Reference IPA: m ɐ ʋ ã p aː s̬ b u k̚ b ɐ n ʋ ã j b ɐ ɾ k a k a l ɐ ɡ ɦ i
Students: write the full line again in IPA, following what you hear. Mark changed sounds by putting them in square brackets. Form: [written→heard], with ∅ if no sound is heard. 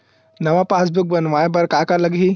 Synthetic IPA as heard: [m→n] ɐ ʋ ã p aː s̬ b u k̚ b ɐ n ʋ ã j b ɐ ɾ k a k a l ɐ ɡ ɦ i